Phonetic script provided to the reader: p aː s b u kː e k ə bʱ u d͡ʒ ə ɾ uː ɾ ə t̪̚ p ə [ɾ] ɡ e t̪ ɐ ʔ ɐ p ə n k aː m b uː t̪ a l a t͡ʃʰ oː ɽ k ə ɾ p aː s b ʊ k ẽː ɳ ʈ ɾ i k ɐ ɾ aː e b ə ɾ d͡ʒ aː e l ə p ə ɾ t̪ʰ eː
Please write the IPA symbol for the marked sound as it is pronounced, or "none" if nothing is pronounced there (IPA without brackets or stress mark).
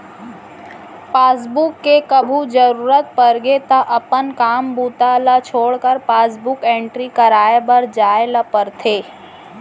ɾ